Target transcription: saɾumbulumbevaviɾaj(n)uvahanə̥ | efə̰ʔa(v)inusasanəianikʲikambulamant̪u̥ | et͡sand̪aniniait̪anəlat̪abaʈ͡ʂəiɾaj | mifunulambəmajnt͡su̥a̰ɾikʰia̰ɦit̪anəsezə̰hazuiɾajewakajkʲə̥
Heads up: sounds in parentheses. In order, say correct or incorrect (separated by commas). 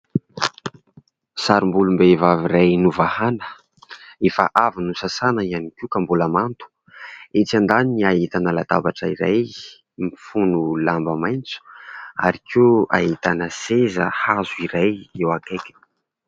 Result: correct, correct